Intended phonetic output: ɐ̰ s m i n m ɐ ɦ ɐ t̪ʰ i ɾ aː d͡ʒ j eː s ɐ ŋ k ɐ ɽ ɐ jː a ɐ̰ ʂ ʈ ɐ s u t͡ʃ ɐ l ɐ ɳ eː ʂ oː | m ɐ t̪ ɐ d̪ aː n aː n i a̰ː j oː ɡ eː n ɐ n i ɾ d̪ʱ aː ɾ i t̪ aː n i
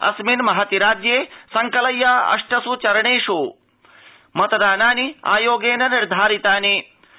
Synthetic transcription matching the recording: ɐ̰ s m i n m ɐ ɦ ɐ t̪ i ɾ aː d͡ʒ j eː s ɐ ŋ k ɐ l ɐ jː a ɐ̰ ʂ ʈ ɐ s u t͡ʃ ɐ ɾ ɐ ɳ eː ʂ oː | m ɐ t̪ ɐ d̪ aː n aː n i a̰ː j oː ɡ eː n ɐ n i ɾ d̪ʱ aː ɾ i t̪ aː n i

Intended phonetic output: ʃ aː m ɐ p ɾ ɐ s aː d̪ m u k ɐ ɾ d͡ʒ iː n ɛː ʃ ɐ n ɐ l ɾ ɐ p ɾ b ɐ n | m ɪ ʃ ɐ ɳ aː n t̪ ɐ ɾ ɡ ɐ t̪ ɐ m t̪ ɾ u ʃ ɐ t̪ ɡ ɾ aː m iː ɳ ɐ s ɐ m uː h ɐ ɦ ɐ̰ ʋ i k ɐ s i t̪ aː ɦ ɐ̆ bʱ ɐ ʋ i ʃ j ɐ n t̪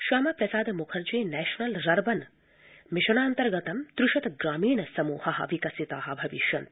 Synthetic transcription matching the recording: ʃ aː m ɐ p ɾ ɐ s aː d̪ m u kʰ ɐ ɾ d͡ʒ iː n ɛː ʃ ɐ n ɐ l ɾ ɐ ɾ b ɐ n | m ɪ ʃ ɐ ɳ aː n t̪ ɐ ɾ ɡ ɐ t̪ ɐ m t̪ ɾ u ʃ ɐ t̪ ɡ ɾ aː m iː ɳ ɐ s ɐ m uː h ɐ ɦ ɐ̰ ʋ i k ɐ s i t̪ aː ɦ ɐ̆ bʱ ɐ ʋ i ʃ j ɐ n t̪

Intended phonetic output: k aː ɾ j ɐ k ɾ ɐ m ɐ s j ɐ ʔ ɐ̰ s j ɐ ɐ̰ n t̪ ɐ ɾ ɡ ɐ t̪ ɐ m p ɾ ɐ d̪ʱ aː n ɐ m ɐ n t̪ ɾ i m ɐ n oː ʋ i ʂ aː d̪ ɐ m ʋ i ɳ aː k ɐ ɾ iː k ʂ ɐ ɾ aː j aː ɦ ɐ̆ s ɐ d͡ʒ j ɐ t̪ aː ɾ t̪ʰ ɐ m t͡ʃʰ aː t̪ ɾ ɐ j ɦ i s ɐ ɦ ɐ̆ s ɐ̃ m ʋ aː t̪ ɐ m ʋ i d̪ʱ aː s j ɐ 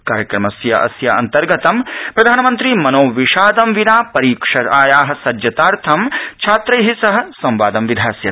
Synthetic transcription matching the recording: k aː ɾ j ɐ k ɾ ɐ m ɐ s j ɐ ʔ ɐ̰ s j ɐ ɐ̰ n t̪ ɐ ɾ ɡ ɐ t̪ ɐ m p ɾ ɐ d̪ʱ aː n ɐ m ɐ n t̪ ɾ i m ɐ n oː ʋ i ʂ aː d̪ ɐ m ʋ i n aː p ɐ ɾ iː k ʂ ɐ ɾ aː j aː ɦ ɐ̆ s ɐ d͡ʒ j ɐ t̪ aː ɾ t̪ʰ ɐ m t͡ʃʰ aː t̪ ɾ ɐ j ɦ i s ɐ ɦ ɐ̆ s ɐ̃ m ʋ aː d̪ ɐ m ʋ i d̪ʱ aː s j ɐ

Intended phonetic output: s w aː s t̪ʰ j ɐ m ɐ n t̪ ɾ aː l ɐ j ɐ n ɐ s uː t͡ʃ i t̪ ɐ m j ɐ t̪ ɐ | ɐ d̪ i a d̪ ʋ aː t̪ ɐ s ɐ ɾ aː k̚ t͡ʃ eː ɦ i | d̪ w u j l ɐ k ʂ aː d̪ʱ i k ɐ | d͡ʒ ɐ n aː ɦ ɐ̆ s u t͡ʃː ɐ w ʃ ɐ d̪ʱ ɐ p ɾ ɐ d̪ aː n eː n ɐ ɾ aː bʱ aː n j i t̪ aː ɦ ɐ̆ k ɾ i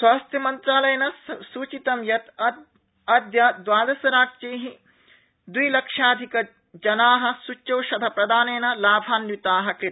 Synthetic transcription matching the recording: s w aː s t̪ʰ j ɐ m ɐ n t̪ ɾ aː l ɐ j ɐ n ɐ s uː t͡ʃ i t̪ ɐ m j ɐ t̪ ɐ | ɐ d̪ j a d̪ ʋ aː d̪ ɐ s ɐ ɾ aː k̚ t͡ʃ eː ɦ i | d̪ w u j l ɐ k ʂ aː d̪ʱ i k ɐ | d͡ʒ ɐ n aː ɦ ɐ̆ s u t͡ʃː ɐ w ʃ ɐ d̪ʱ ɐ p ɾ ɐ d̪ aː n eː n ɐ l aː bʱ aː n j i t̪ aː ɦ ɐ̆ k ɾ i

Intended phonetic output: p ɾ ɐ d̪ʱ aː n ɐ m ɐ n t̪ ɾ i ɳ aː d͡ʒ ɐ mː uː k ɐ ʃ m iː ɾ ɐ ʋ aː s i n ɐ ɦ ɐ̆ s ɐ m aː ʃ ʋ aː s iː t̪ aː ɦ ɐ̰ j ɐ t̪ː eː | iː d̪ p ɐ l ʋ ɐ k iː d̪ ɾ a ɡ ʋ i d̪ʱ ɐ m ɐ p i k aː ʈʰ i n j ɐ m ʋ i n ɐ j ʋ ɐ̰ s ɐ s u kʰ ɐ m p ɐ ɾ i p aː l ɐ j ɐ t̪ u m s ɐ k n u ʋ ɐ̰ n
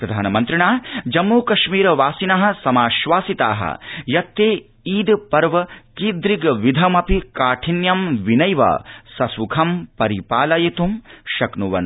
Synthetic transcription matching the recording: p ɾ ɐ d̪ʱ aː n ɐ m ɐ n t̪ ɾ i ɳ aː d͡ʒ ɐ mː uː k ɐ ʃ m iː ɾ ɐ ʋ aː s i n ɐ ɦ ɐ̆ s ɐ m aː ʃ ʋ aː s i t̪ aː ɦ ɐ̰ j ɐ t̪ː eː | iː d̪ p ɐ ɾ ʋ ɐ k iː d̪ ɾ i ɡ ʋ i d̪ʱ ɐ m ɐ p i k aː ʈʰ i n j ɐ m ʋ i n ɐ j ʋ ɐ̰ s ɐ s u kʰ ɐ m p ɐ ɾ i p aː l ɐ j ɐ t̪ u m ʃ ɐ k n u ʋ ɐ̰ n

